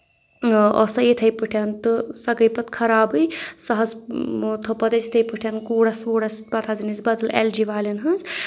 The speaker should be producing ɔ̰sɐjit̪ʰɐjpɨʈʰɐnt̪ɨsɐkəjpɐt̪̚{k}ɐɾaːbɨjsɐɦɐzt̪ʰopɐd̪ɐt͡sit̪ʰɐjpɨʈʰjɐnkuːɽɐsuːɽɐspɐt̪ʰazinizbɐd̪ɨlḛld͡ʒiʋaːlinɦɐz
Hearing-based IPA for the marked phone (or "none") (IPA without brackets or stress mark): kʰ